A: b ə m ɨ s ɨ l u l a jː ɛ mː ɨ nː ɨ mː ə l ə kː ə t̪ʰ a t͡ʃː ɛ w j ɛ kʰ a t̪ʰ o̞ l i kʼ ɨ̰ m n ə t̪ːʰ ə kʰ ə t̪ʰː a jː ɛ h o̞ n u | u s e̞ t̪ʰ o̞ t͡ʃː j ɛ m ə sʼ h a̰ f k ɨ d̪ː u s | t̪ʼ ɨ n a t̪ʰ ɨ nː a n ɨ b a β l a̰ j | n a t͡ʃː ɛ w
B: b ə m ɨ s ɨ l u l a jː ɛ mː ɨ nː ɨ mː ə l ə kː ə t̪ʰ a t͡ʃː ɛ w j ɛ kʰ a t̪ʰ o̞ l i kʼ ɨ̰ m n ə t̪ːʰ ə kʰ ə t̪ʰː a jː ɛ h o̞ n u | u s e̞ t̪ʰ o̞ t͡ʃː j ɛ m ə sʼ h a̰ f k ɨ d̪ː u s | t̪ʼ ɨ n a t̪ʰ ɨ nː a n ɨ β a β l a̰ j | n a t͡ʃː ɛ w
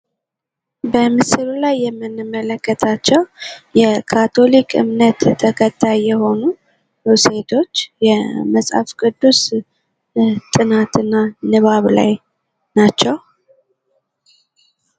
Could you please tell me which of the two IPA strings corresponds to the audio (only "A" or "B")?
B